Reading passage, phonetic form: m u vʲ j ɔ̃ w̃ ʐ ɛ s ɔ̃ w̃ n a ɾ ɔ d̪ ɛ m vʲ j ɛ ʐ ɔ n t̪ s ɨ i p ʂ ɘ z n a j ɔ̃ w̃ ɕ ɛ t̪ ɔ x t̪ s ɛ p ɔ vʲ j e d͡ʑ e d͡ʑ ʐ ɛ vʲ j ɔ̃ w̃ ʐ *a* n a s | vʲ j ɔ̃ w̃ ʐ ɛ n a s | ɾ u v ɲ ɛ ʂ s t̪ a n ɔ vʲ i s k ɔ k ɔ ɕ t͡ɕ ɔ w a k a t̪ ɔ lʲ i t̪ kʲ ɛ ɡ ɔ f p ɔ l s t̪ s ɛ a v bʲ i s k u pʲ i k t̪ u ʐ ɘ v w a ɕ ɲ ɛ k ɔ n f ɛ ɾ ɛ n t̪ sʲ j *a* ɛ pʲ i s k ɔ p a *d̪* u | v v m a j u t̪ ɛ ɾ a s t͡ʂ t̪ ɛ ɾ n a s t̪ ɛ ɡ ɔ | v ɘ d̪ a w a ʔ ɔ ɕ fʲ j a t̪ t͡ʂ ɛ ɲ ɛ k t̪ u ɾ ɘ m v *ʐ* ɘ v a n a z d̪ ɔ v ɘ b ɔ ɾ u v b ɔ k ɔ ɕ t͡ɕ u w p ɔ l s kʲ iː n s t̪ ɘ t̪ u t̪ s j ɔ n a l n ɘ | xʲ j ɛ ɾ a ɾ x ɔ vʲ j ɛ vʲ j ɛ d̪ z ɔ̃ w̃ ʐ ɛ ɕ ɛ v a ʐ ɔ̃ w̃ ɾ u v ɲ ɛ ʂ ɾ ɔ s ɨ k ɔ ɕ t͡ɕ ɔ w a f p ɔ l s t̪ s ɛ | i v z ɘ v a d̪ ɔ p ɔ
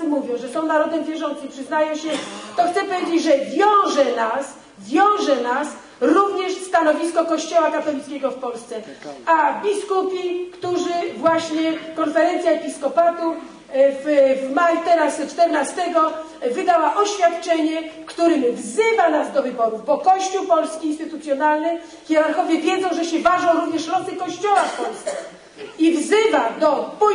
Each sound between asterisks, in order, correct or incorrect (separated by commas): incorrect, correct, incorrect, incorrect